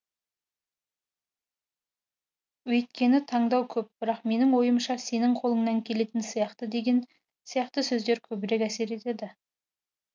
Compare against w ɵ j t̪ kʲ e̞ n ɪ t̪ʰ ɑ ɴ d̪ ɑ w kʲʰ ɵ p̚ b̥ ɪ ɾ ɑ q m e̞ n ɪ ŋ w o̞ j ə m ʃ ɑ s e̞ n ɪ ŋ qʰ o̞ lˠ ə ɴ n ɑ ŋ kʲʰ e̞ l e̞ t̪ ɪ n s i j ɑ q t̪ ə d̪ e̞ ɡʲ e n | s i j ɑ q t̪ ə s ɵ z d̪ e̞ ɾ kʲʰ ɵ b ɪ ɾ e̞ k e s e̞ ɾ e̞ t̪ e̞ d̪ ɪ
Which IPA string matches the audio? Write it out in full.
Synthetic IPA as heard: w ɵ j t̪ kʲ e̞ n ɪ t̪ʰ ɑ ɴ d̪ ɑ w kʲʰ ɵ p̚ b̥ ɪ ɾ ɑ q m e̞ n ɪ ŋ w o̞ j ə m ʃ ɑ s e̞ n ɪ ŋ qʰ o̞ lˠ ə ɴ n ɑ ŋ kʲʰ e̞ l e̞ t̪ ɪ n s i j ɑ q t̪ ə d̪ e̞ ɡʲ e n | s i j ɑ q t̪ ə s ɵ z d̪ e̞ ɾ kʲʰ ɵ b ɪ ɾ e̞ k æ s e̞ ɾ e̞ t̪ e̞ d̪ ɪ